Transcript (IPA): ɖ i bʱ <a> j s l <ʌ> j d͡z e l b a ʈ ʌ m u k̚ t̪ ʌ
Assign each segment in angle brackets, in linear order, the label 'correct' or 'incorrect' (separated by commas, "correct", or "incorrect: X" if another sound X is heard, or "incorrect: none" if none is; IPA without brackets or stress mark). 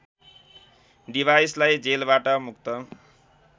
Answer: correct, incorrect: a